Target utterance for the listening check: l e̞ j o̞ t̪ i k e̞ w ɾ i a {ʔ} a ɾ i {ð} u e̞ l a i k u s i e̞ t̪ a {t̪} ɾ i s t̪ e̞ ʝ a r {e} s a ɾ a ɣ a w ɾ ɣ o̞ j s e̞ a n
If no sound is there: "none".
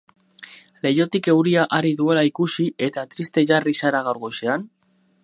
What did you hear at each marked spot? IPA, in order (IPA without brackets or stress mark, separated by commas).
ʔ, ð, t̪, i